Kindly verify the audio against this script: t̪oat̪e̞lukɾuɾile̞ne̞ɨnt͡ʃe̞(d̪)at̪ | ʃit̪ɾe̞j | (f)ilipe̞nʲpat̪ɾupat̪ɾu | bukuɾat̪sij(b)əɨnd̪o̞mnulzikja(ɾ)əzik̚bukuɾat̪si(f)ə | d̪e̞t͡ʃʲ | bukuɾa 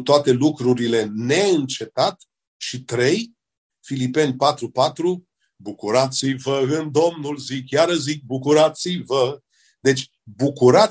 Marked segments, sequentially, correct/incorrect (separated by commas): incorrect, correct, incorrect, correct, incorrect